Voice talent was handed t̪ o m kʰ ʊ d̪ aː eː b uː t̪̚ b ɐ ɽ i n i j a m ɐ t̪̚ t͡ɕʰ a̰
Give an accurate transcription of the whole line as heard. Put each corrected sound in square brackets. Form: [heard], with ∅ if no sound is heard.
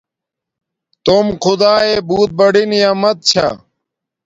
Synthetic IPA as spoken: t̪ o m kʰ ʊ d̪ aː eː b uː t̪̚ b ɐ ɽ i n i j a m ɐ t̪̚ t͡ɕʰ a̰